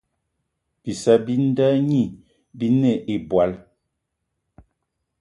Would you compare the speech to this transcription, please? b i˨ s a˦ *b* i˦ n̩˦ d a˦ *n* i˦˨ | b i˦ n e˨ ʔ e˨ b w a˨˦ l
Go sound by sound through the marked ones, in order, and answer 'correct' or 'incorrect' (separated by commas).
correct, incorrect